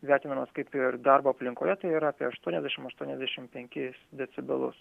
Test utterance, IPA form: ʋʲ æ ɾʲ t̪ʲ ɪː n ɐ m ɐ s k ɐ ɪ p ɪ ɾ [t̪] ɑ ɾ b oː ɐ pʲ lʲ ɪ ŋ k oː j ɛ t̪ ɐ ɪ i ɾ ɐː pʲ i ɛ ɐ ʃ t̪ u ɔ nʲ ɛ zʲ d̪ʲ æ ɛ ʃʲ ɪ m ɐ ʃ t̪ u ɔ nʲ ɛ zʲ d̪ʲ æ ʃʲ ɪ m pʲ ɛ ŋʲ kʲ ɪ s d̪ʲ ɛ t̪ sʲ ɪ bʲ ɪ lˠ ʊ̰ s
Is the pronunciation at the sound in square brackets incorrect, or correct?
incorrect